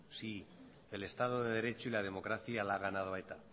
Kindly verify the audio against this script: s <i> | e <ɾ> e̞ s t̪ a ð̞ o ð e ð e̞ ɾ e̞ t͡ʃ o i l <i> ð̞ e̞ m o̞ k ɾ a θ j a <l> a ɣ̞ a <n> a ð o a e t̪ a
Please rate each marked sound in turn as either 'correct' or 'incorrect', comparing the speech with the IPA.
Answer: correct, incorrect: l, incorrect: a, correct, correct

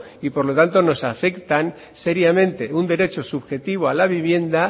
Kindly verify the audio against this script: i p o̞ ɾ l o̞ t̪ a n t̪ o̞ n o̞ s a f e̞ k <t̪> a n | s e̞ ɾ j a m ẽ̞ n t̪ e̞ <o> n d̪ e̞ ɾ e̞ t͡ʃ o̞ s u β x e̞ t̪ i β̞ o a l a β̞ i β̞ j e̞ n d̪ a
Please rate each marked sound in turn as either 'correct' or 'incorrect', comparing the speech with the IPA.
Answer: correct, incorrect: u

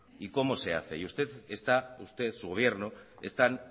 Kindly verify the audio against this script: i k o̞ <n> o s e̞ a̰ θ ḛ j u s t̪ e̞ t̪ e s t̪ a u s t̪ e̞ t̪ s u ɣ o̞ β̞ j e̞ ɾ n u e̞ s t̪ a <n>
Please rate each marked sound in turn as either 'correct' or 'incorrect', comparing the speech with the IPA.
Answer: incorrect: m, correct

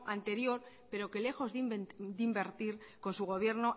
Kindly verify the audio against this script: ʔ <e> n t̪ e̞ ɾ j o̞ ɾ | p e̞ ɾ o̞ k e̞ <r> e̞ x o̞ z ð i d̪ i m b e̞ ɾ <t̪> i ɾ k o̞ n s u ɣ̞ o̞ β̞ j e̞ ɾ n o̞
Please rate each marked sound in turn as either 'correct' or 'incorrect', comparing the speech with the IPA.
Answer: incorrect: a, incorrect: l, correct

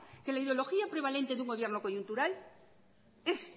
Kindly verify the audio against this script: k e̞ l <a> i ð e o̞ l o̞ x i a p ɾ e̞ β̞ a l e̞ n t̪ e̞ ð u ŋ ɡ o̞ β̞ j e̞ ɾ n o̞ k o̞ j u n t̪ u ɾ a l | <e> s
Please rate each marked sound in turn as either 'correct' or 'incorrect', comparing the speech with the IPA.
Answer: correct, correct

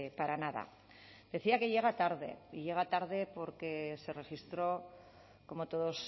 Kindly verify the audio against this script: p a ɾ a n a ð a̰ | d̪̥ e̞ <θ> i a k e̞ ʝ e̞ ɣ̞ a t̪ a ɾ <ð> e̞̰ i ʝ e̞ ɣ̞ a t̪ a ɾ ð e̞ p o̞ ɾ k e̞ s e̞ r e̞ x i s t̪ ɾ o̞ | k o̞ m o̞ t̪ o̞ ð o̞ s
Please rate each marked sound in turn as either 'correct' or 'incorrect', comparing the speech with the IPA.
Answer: correct, correct

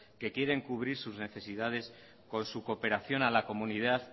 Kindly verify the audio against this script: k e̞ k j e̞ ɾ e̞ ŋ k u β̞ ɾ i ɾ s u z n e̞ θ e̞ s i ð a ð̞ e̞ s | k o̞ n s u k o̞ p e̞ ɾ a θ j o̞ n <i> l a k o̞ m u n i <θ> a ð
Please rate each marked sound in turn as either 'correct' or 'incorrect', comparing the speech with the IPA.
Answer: incorrect: a, incorrect: ð

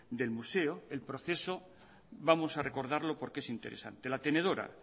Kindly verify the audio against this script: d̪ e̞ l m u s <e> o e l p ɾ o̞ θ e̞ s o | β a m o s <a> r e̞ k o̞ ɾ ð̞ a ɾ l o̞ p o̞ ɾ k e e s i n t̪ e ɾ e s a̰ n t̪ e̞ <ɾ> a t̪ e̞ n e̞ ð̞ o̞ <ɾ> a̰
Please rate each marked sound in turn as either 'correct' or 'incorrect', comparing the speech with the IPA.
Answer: correct, correct, incorrect: l, correct

